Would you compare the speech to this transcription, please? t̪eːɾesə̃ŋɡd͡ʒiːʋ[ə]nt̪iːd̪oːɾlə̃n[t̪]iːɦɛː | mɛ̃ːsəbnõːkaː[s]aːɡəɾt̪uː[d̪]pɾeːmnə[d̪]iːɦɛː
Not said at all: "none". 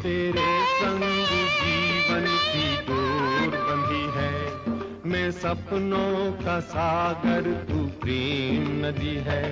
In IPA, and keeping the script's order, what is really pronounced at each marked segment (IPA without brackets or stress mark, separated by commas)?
ə, d̪, s, none, d̪